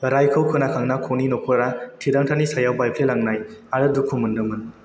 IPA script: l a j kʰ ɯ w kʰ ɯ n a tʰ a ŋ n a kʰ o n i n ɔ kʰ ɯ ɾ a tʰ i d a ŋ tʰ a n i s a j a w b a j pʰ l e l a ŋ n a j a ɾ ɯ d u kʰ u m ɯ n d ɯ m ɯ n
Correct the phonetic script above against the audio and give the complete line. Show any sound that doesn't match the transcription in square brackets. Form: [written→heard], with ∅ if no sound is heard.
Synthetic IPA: [l→ɾ] a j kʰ ɯ w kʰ ɯ n a [tʰ→kʰ] a ŋ n a kʰ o n i n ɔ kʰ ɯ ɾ a tʰ i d a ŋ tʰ a n i s a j a w b a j pʰ l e l a ŋ n a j a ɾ ɯ d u kʰ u m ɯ n d ɯ m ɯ n